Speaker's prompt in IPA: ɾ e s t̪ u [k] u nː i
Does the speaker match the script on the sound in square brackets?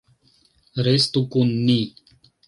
yes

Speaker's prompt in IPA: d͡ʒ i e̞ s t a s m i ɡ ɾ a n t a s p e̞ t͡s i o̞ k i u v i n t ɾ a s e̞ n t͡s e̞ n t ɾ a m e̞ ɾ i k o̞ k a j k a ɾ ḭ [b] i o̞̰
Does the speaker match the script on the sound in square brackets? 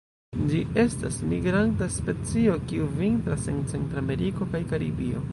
yes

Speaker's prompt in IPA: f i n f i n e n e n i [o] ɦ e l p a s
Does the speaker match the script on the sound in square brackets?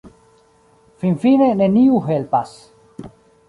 no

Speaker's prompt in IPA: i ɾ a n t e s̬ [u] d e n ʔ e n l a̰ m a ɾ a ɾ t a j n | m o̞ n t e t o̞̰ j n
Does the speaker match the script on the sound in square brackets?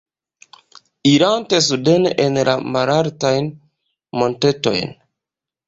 yes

